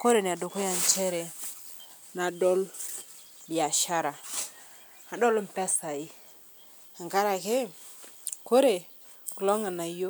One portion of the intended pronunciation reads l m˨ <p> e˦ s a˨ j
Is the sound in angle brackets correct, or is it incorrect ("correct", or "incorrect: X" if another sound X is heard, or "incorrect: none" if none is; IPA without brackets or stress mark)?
correct